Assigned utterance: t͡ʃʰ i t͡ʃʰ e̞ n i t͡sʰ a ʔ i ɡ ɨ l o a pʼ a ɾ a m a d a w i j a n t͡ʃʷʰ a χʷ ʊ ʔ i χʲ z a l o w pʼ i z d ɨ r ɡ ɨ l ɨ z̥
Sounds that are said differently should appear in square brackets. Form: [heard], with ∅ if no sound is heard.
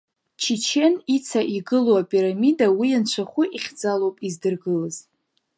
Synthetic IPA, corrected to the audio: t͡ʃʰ i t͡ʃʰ e̞ n i t͡sʰ a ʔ i ɡ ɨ l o a pʼ [i] ɾ a m [i] d a w i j a n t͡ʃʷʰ a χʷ ʊ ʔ i χʲ [d͡z] a l o w pʼ i z d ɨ r ɡ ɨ l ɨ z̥